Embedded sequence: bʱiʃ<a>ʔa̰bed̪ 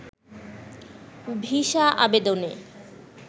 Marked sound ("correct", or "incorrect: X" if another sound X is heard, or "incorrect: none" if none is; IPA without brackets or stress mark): correct